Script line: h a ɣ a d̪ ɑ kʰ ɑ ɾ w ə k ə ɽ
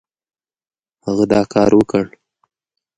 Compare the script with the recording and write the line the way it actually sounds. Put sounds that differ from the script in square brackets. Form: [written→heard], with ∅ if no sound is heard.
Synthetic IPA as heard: h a ɣ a d̪ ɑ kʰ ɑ ɾ w ə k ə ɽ